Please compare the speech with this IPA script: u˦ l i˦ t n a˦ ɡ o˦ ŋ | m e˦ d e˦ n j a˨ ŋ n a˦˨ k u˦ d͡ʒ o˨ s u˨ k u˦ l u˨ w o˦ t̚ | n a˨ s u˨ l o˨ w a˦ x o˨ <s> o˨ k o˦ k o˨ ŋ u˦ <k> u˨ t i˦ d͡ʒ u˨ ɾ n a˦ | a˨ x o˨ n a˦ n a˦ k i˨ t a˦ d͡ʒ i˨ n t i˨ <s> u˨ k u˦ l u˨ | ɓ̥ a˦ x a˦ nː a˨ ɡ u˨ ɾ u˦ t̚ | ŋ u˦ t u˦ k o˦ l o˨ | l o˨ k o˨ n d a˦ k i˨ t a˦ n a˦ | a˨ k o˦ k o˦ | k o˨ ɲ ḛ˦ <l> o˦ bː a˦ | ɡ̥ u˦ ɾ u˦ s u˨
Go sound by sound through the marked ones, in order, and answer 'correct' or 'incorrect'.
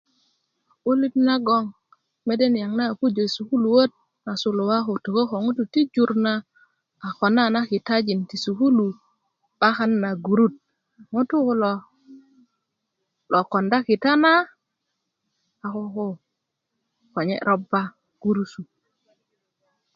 incorrect: t, incorrect: t, correct, incorrect: ɾ

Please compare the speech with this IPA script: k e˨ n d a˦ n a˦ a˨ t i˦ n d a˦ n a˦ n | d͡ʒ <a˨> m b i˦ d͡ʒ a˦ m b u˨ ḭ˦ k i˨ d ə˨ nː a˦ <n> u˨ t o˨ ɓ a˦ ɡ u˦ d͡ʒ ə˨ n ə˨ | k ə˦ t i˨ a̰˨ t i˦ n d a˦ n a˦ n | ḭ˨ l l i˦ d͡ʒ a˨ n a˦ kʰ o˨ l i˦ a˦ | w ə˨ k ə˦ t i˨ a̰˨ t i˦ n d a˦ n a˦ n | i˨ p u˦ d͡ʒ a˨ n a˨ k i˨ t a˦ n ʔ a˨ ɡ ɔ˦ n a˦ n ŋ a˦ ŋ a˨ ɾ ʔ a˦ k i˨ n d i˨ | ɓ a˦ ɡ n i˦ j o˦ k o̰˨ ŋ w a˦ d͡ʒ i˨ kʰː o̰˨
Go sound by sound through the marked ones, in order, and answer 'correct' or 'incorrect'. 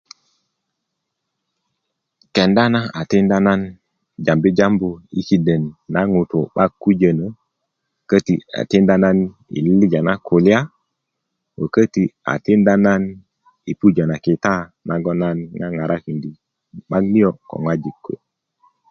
correct, incorrect: ŋ

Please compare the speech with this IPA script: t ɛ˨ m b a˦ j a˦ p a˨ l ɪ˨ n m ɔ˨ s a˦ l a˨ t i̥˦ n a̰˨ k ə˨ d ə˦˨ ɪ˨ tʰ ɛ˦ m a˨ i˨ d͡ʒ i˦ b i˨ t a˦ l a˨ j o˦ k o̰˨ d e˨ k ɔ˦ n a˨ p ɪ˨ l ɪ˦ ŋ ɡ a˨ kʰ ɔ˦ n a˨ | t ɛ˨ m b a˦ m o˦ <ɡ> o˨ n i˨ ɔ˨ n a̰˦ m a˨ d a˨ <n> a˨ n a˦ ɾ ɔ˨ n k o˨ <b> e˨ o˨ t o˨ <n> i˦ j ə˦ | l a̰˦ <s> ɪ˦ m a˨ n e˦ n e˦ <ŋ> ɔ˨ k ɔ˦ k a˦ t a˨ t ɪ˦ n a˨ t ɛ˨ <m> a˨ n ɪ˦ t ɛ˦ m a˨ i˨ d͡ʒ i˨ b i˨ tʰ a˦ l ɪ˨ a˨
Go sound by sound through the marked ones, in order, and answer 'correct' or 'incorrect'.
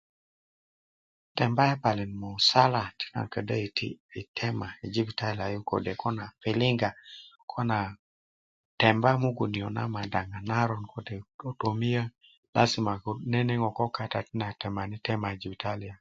correct, incorrect: ŋ, incorrect: d, incorrect: m, correct, correct, correct

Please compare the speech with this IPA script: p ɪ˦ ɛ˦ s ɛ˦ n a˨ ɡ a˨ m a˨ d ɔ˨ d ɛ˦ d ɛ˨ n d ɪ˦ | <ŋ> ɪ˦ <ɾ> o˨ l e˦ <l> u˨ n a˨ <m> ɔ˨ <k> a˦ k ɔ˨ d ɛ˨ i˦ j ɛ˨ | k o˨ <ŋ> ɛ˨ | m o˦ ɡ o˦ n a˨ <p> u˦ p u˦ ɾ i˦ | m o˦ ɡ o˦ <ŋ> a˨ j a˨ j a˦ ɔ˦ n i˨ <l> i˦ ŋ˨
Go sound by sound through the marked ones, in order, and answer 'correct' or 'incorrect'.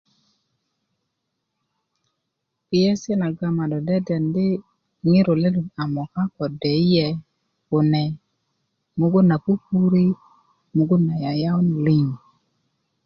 correct, correct, correct, correct, correct, incorrect: n, correct, incorrect: n, correct

